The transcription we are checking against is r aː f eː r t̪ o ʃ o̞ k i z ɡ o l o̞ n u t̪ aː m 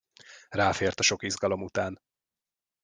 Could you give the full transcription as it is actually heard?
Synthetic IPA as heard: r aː f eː r t̪ ɒ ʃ o̞ k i z ɡ ɒ l o̞ m u t̪ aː n

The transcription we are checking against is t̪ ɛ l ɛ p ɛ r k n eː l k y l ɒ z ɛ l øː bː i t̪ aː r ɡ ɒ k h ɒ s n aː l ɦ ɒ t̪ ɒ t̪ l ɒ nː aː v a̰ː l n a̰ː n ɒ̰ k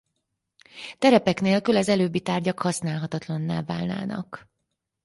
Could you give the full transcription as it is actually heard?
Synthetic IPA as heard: t̪ ɛ ɾ ɛ p ɛ k n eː l k y l ɒ z ɛ l øː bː i t̪ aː r ɟ ɒ k h ɒ s n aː l ɦ ɒ t̪ ɒ t̪ l ɒ nː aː v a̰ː l n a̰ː n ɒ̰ k

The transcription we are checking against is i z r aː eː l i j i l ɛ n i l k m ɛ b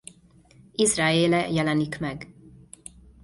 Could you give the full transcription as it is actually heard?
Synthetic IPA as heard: i z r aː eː l ɛ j ɛ l ɛ n i k m ɛ ɡ

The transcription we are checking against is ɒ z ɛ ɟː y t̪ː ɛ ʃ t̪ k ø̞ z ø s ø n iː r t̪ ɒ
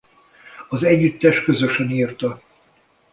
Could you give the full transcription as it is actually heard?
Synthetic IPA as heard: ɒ z ɛ ɟː y t̪ː ɛ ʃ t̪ k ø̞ z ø ʃ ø n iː r t̪ ɒ

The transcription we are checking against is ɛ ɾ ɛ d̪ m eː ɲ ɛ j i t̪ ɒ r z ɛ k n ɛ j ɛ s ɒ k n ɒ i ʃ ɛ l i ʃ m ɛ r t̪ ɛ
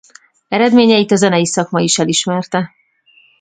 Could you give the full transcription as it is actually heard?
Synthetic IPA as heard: ɛ ɾ ɛ d̪ m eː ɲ ɛ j i t̪ ɒ z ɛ n ɛ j i s ɒ k m ɒ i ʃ ɛ l i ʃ m ɛ r t̪ ɛ

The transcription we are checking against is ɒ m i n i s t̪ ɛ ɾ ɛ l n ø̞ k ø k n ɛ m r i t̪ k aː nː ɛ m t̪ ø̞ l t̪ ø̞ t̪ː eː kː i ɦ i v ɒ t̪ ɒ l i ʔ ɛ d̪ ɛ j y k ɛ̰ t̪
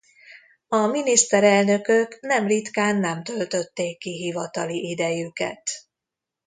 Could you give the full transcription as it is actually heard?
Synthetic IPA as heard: ɒ m i n i s t̪ ɛ ɾ ɛ l n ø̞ k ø k n ɛ m r i t̪ k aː nː ɛ m t̪ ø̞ l t̪ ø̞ t̪ː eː kː i ɦ i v ɒ t̪ ɒ l i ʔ i d̪ ɛ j y k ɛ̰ t̪

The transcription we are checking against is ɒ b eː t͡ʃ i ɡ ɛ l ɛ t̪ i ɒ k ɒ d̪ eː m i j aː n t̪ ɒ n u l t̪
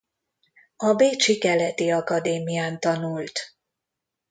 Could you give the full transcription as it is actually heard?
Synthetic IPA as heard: ɒ b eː t͡ʃ i k ɛ l ɛ t̪ i ɒ k ɒ d̪ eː m i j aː n t̪ ɒ n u l t̪

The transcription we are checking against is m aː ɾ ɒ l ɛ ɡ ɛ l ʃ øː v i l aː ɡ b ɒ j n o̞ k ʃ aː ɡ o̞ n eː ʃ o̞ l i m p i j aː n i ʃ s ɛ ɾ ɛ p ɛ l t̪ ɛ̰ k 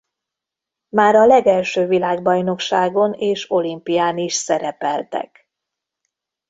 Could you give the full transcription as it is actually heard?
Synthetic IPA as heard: m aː ɾ ɒ l ɛ ɡ ɛ l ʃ øː v i l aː ɡ b ɒ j n o̞ k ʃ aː ɡ o̞ n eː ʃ o̞ l i m p i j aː n i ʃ s ɛ ɾ ɛ p ɛ l t̪ ɛ̰ k

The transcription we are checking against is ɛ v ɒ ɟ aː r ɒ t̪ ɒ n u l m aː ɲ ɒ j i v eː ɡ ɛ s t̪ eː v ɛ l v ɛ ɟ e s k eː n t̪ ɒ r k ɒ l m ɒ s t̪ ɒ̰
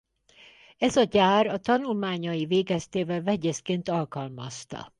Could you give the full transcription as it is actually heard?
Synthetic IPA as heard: ɛ z ɒ ɟ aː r ɒ t̪ ɒ n u l m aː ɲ ɒ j i v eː ɡ ɛ s t̪ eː v ɛ l v ɛ ɟ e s k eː n t̪ ɒ l k ɒ l m ɒ s t̪ ɒ̰

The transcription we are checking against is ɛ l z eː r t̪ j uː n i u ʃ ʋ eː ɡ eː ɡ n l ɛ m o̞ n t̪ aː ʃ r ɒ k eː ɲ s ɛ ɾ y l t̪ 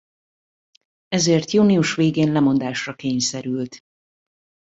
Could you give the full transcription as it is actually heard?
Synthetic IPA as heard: ɛ z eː r t̪ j uː n i u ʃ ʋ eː ɡ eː n l ɛ m o̞ n d̪ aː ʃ r ɒ k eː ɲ s ɛ ɾ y l t̪

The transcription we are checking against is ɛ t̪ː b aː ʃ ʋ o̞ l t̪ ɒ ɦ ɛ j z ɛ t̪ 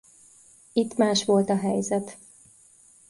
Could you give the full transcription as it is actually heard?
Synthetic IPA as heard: i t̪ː m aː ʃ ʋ o̞ l t̪ ɒ ɦ ɛ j z ɛ t̪

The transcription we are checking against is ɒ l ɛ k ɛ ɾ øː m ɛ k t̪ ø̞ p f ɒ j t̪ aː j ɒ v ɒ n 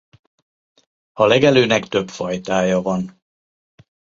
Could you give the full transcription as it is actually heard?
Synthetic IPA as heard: ɒ l ɛ ɡ ɛ l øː n ɛ k t̪ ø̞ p f ɒ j t̪ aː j ɒ v ɒ n

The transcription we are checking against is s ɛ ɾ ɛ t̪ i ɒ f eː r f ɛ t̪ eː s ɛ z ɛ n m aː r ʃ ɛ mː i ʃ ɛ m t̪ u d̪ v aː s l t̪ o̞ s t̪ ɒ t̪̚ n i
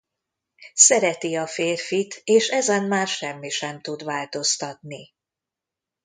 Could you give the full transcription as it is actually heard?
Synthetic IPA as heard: s ɛ ɾ ɛ t̪ i ɒ f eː r f i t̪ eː ʃ ɛ z ɛ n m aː r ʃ ɛ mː i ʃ ɛ m t̪ u d̪ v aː l t̪ o̞ s t̪ ɒ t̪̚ n i

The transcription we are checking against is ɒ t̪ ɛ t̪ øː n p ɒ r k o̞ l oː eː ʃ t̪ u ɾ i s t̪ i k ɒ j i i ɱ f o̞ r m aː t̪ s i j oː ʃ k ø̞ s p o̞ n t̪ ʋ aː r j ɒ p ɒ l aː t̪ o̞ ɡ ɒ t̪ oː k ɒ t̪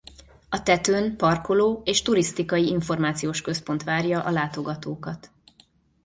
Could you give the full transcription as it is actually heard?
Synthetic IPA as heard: ɒ t̪ ɛ t̪ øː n p ɒ r k o̞ l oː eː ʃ t̪ u ɾ i s t̪ i k ɒ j i i ɱ f o̞ r m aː t̪ s i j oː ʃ k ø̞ s p o̞ n t̪ ʋ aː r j ɒ ʔ ɒ l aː t̪ o̞ ɡ ɒ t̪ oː k ɒ t̪

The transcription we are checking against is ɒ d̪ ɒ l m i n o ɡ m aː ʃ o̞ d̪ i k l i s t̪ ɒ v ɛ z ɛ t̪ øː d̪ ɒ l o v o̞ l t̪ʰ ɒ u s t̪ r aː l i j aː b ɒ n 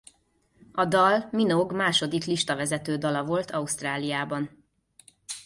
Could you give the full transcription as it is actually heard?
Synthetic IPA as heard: ɒ d̪ ɒ l m i n o ɡ m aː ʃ o̞ d̪ i k l i ʃ t̪ ɒ v ɛ z ɛ t̪ øː d̪ ɒ l ɒ v o̞ l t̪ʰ ɒ u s t̪ r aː l i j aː b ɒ n

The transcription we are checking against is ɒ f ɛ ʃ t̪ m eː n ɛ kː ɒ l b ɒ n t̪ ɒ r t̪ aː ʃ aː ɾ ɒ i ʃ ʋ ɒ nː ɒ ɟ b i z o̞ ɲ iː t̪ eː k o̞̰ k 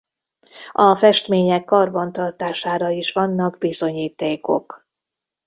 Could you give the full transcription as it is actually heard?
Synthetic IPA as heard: ɒ f ɛ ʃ t̪ m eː ɲ ɛ kː ɒ r b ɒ n t̪ ɒ r t̪ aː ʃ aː ɾ ɒ i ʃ ʋ ɒ nː ɒ ɡ b i z o̞ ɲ iː t̪ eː k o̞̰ k

